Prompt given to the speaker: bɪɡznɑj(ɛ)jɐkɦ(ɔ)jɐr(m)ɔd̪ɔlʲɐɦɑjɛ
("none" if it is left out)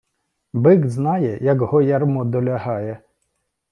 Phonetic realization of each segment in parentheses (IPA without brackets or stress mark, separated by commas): ɛ, ɔ, m